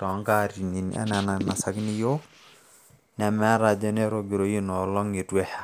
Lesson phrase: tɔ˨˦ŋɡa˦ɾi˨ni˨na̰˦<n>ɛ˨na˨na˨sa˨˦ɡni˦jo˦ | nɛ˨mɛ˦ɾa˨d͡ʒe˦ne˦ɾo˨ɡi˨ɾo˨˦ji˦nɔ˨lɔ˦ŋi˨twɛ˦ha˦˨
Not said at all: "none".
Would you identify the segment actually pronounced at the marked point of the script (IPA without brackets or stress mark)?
n